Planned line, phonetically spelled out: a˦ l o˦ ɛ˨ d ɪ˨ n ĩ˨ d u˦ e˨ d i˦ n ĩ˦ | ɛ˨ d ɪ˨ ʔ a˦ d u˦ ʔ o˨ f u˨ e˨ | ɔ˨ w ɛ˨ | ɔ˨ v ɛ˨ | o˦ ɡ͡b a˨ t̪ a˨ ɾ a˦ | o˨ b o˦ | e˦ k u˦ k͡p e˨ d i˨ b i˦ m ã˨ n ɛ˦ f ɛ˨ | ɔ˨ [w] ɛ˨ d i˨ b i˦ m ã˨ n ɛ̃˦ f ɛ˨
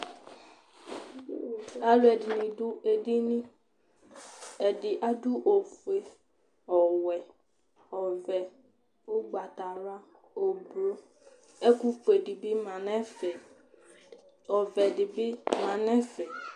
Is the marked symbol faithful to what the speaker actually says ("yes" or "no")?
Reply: no